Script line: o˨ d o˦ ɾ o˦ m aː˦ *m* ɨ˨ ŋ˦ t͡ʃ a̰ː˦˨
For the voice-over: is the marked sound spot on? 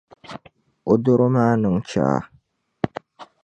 no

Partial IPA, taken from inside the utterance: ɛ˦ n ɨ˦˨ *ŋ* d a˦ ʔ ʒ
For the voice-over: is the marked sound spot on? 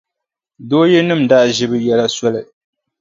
no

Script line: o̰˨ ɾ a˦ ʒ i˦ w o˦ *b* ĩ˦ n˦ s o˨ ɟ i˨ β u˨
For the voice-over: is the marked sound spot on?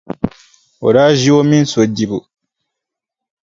no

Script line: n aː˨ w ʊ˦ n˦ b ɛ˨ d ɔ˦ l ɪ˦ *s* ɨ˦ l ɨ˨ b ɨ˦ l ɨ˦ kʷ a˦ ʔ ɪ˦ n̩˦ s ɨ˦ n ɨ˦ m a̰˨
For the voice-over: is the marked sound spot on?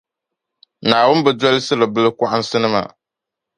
yes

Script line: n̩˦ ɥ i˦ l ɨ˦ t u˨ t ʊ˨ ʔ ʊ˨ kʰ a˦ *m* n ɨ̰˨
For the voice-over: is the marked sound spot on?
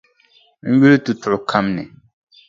yes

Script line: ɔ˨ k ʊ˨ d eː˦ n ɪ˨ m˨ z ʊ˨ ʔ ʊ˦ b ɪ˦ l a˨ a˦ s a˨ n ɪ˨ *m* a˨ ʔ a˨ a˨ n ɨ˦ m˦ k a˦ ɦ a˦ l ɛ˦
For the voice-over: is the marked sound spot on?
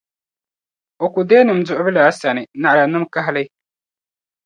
no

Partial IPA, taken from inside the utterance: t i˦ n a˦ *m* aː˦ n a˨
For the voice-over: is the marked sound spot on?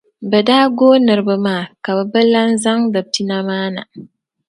yes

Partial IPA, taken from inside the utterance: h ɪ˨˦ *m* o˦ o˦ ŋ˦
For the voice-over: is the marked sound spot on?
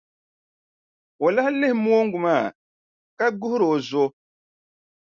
yes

